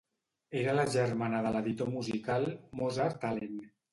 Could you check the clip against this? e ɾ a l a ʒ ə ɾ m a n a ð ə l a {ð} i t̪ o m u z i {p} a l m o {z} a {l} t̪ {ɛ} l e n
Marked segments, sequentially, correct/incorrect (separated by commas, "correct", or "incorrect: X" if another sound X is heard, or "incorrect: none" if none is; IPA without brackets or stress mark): correct, incorrect: k, correct, incorrect: ɾ, incorrect: a